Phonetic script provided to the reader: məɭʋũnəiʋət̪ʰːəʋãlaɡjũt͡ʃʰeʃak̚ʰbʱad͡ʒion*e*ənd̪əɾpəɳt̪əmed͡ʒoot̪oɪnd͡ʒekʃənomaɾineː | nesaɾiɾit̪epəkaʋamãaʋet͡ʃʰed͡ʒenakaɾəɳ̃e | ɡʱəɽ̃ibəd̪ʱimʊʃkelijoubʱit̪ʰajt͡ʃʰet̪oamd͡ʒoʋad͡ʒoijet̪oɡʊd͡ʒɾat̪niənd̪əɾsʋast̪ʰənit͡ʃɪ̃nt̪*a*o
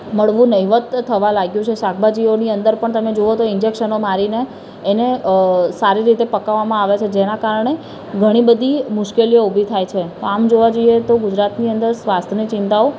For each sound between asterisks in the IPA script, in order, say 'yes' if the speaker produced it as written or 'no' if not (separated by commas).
no, yes